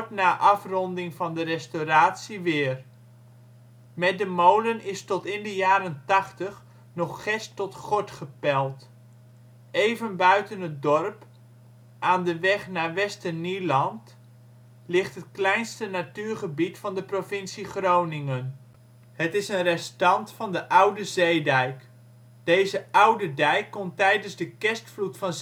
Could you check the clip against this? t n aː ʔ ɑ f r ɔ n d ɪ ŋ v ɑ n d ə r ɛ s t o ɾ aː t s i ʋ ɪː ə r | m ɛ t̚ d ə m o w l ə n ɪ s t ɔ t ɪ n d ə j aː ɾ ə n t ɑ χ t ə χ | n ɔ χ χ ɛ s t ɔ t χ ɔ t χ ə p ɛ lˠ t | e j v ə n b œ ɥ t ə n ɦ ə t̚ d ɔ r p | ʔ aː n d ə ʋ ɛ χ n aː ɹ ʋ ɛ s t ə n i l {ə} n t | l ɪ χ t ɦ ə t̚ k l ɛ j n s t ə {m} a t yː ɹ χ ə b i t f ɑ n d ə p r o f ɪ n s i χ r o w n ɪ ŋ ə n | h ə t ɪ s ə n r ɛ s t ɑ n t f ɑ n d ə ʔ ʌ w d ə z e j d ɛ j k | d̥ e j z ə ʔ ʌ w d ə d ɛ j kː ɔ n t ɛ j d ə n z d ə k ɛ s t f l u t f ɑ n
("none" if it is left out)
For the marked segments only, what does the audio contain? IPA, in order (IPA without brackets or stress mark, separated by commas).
ɑ, n